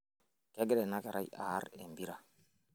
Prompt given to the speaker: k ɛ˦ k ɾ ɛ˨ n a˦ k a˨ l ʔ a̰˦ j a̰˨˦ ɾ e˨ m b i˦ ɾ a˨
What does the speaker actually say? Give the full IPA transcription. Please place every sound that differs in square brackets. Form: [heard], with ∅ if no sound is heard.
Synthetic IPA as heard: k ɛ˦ [ɡ] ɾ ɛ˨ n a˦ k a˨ [ɾ] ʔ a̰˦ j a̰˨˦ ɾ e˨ m b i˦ ɾ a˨

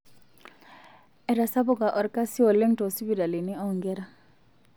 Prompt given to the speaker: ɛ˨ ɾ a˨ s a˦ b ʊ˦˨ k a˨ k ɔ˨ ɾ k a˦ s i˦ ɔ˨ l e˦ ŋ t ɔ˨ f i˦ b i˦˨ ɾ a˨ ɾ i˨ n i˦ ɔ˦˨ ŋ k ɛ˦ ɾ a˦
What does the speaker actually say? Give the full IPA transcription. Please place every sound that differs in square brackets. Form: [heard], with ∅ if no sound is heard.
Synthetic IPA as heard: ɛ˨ ɾ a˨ s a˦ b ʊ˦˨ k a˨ [ʔ] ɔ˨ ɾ k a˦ s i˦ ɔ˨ l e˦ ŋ t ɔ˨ [s] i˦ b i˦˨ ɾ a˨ [l] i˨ n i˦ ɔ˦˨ ŋ [ɡ] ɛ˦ ɾ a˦

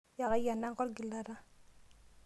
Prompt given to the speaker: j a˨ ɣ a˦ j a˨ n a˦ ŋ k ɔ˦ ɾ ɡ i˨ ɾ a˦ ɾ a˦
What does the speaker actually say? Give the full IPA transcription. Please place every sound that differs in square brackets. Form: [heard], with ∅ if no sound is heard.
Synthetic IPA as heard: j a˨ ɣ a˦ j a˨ n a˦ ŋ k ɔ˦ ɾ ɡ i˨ [l] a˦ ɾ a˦

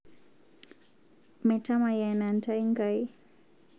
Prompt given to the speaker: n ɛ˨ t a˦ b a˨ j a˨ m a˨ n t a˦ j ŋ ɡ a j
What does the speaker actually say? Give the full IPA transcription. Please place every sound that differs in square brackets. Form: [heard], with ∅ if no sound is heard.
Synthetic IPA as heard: [m] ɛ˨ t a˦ [m] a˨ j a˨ [n] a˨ n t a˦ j ŋ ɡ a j

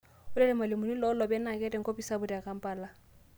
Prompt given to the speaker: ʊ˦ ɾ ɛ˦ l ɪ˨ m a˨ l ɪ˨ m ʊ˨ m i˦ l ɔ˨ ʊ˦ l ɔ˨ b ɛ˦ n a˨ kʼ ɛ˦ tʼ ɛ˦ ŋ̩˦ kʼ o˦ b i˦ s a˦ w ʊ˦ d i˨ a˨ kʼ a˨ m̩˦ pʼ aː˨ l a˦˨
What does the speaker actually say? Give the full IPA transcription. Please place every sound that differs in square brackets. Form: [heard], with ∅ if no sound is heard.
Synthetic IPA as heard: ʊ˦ [l] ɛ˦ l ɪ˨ m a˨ l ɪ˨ m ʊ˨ [n] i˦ l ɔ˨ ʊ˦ l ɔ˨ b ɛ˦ n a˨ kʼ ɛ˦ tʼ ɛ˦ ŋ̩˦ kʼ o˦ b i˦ s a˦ [b] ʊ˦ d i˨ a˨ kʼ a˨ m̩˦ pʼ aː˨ l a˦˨

